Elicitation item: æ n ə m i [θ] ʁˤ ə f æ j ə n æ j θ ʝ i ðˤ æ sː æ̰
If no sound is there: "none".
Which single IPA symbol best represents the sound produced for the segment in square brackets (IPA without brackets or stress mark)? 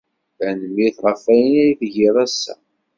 θ